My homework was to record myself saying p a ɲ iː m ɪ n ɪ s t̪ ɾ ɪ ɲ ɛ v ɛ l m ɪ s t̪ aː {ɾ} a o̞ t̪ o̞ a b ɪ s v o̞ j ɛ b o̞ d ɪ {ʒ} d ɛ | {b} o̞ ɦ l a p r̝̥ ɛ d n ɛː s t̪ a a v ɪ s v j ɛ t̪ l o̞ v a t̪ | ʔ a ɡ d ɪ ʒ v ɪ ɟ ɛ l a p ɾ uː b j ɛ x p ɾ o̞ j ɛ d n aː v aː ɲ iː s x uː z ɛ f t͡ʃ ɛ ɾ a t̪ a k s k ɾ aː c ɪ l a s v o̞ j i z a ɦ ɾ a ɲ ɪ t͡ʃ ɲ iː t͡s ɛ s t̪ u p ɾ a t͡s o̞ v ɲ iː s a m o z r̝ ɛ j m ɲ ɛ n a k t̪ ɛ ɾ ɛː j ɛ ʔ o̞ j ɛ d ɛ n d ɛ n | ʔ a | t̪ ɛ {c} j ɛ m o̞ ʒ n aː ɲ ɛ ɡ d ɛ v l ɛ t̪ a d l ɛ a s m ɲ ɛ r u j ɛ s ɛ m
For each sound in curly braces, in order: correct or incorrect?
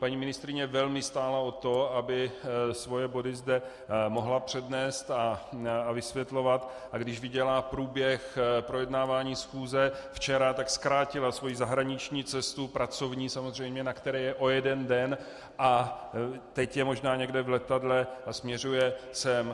incorrect: l, incorrect: z, incorrect: m, correct

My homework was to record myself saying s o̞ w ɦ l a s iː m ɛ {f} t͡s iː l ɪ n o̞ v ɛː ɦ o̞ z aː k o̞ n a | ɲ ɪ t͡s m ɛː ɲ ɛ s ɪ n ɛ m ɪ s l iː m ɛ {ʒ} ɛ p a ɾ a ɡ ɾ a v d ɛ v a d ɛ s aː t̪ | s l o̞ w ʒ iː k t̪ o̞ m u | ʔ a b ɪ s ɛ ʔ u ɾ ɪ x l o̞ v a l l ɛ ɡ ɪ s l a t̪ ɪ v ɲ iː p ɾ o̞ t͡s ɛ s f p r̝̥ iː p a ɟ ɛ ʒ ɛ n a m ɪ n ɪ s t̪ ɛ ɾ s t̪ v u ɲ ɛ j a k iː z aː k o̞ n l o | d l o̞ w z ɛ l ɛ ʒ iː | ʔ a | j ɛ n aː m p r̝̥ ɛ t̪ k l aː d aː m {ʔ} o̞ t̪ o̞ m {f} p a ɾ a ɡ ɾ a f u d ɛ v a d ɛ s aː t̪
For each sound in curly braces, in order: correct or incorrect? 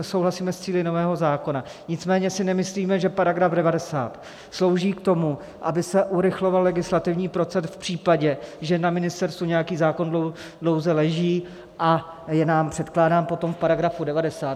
incorrect: s, correct, incorrect: p, correct

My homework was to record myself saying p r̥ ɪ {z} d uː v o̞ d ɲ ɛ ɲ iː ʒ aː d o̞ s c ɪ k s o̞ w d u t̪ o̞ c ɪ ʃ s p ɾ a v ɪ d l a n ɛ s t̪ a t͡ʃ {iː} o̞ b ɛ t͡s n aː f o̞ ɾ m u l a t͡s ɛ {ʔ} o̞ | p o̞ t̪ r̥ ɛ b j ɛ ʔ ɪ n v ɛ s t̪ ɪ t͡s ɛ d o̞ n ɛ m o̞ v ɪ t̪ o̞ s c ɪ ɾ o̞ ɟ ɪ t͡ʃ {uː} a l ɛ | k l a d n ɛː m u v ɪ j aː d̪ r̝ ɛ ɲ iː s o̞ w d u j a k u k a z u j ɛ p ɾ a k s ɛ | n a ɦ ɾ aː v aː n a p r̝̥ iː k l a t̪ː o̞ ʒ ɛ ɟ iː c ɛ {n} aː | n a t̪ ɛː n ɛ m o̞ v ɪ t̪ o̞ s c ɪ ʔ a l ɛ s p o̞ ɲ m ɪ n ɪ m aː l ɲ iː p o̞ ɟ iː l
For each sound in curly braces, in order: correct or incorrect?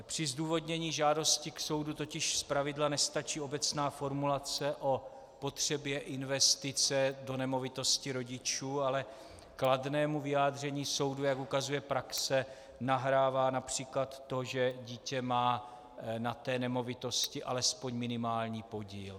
correct, correct, correct, correct, incorrect: m

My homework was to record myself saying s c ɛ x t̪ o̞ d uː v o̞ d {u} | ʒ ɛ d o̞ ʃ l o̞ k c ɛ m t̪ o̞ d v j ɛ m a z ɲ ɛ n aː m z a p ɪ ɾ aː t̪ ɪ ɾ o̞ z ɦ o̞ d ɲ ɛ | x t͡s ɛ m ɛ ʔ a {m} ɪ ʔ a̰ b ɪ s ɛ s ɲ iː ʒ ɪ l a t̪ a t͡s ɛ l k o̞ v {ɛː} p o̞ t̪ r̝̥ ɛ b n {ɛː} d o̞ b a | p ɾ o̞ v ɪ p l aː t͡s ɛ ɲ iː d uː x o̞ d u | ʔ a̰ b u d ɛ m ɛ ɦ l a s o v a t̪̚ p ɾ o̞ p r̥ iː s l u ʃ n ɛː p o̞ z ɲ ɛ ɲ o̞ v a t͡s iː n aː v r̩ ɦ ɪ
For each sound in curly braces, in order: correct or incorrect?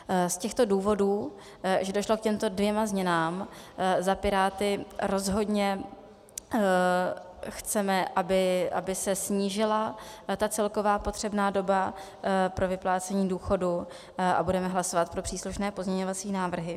incorrect: uː, incorrect: b, incorrect: aː, incorrect: aː

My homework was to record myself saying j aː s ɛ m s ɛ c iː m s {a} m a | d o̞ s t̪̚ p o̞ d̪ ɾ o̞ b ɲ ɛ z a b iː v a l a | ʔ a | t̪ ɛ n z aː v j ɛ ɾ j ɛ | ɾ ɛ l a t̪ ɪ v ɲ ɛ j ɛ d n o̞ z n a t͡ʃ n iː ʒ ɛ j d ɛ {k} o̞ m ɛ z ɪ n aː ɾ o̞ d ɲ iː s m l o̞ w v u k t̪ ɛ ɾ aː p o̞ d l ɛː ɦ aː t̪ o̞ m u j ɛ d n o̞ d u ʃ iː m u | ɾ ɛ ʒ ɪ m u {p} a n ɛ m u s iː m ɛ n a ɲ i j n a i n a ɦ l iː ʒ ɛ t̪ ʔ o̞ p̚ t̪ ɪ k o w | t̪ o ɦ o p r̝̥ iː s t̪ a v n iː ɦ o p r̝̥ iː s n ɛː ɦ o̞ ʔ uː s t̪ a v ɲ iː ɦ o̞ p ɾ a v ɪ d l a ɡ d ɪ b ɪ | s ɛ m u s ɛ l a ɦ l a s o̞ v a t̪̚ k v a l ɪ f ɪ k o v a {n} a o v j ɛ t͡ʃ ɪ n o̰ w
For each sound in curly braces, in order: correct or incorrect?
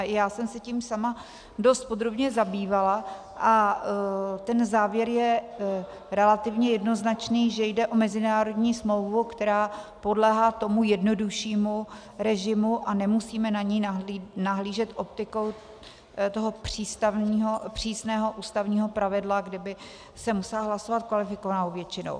correct, incorrect: ʔ, incorrect: ʔ, correct

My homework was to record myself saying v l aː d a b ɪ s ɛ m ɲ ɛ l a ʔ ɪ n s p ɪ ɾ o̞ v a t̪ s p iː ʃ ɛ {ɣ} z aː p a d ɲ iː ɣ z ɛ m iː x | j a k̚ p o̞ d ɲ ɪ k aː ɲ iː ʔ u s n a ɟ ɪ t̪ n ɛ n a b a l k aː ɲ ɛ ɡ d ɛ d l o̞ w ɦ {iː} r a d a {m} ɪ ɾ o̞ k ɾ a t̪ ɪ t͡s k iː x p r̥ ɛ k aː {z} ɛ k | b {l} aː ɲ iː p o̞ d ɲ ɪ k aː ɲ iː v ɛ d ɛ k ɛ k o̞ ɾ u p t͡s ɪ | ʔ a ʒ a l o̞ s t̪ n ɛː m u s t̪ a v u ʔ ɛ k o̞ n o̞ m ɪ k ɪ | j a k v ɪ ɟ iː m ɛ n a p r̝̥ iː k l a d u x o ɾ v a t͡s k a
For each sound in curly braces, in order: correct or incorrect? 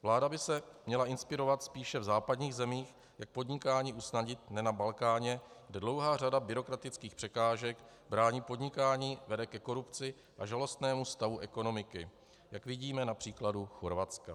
incorrect: v, incorrect: aː, incorrect: b, incorrect: ʒ, incorrect: ɾ

